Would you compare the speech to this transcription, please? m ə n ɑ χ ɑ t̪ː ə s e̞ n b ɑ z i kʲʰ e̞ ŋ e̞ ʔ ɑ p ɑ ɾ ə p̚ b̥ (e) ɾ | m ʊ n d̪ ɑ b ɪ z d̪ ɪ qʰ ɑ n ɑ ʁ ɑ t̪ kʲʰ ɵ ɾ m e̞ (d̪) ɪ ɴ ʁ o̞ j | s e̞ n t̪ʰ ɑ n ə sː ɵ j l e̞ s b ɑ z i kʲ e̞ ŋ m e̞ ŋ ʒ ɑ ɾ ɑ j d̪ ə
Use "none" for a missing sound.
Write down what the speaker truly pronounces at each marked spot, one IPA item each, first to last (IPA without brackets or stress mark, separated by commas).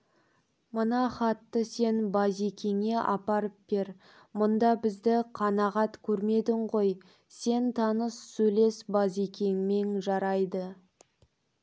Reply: e, d̪